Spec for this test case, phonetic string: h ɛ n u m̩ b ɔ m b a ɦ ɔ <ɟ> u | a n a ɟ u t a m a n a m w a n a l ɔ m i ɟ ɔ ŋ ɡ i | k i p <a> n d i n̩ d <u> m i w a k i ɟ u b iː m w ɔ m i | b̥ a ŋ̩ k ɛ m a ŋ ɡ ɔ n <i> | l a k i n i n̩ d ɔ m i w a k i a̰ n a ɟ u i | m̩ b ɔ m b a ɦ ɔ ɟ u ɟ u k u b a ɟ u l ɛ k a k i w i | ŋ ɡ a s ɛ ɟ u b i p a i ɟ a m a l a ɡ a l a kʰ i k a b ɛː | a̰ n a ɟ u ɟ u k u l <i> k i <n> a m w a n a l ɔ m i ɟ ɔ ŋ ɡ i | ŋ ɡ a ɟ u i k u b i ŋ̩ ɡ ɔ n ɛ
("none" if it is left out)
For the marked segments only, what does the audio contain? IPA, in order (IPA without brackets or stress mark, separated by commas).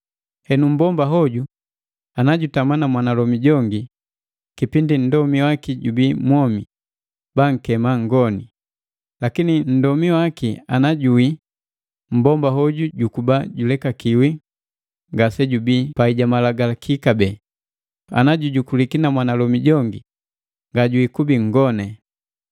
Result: ɟ, i, ɔ, i, i, n